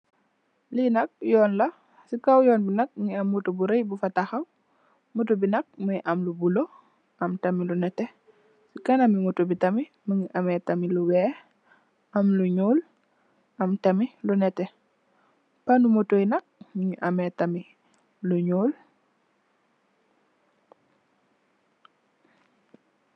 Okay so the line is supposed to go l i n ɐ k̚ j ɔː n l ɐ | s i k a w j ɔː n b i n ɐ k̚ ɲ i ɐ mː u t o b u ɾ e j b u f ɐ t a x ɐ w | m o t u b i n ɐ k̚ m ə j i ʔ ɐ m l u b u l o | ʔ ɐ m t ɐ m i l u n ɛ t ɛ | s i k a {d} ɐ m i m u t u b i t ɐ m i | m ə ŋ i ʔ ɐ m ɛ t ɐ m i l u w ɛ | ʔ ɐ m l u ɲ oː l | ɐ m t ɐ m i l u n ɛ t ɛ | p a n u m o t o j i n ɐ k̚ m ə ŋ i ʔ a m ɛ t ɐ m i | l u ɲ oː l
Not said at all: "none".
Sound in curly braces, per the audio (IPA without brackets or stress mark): n